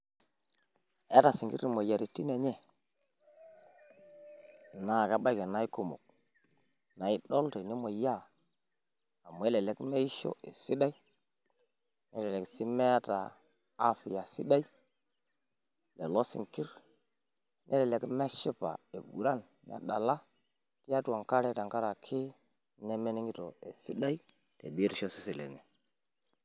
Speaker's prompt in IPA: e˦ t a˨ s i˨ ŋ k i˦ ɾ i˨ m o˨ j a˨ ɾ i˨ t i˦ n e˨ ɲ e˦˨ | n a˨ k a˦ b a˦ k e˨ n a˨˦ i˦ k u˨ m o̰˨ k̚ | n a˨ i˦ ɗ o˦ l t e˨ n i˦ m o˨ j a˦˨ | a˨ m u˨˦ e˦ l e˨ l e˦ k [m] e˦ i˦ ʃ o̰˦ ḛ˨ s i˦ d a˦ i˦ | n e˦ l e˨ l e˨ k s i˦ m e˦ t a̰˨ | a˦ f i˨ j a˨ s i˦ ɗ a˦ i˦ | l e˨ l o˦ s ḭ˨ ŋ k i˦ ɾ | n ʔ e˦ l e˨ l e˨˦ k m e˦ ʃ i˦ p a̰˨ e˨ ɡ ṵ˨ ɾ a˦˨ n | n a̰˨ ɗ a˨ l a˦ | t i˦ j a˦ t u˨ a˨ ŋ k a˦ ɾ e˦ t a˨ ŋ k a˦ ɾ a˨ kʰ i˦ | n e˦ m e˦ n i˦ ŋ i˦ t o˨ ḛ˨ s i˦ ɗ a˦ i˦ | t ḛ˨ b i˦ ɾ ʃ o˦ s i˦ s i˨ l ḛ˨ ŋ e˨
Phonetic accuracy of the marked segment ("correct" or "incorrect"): correct